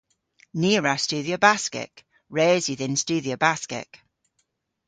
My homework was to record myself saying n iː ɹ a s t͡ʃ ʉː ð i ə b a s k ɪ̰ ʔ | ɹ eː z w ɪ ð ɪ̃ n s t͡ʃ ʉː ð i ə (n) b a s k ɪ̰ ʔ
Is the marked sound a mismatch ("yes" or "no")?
yes